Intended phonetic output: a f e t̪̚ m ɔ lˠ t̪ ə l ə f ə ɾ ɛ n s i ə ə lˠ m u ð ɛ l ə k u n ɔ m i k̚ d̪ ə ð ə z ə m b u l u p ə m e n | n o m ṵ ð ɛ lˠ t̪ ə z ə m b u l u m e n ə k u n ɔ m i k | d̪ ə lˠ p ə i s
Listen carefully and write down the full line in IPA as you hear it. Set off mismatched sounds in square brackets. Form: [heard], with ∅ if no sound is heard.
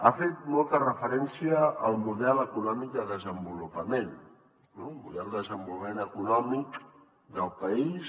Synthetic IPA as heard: a f e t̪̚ m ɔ lˠ t̪ ə [r] ə f ə ɾ ɛ n s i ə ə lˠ m u ð ɛ l ə k u n ɔ m i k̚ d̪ ə ð ə z ə m b u l u p ə m e n | n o m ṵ ð ɛ lˠ [d̪] ə z ə m b u l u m e n ə k u n ɔ m i k | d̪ ə lˠ p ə i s